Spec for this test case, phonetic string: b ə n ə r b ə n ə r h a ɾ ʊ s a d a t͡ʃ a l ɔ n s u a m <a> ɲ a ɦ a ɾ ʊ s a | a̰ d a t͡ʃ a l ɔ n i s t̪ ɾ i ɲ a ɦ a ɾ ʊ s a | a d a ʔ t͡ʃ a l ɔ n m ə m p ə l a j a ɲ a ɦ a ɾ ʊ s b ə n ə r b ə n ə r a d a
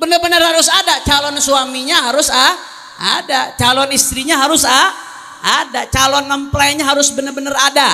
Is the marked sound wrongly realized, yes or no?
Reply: yes